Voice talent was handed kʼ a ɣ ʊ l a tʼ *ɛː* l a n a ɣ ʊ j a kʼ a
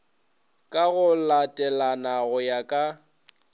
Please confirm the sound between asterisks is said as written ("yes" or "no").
no